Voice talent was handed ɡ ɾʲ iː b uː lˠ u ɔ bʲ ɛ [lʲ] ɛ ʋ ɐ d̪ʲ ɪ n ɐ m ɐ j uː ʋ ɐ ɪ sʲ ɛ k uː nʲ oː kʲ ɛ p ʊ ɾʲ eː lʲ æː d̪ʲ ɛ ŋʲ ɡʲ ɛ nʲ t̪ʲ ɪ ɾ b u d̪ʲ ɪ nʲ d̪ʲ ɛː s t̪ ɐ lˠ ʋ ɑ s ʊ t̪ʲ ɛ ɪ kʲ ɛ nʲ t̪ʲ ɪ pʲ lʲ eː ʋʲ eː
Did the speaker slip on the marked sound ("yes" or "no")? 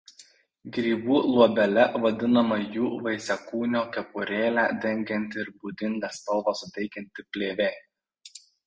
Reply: no